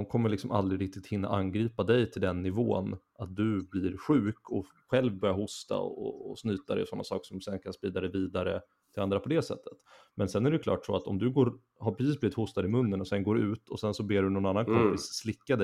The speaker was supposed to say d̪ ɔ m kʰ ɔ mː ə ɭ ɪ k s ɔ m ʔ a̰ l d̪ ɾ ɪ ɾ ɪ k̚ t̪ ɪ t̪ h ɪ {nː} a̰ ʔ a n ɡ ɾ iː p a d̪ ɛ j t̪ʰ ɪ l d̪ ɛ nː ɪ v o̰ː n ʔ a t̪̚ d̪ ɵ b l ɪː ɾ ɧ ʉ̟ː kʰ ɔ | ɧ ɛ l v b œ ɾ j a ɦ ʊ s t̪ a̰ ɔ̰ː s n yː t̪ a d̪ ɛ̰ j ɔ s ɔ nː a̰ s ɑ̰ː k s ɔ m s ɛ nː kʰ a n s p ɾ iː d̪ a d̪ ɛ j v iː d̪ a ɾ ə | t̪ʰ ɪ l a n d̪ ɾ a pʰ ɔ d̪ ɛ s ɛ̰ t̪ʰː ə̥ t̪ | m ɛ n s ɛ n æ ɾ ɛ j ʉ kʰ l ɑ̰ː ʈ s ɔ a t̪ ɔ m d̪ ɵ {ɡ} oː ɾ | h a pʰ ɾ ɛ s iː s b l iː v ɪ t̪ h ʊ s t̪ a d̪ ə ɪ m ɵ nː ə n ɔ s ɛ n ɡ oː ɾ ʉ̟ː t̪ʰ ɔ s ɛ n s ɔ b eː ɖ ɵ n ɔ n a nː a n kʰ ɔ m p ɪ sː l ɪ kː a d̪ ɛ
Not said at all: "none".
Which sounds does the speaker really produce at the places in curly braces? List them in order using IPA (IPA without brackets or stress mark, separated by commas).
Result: nː, ɡ